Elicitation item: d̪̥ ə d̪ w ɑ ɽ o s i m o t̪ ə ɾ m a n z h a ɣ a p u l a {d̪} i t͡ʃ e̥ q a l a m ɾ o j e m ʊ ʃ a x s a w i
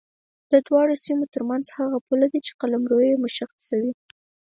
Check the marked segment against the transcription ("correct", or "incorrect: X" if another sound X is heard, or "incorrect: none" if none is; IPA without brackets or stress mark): correct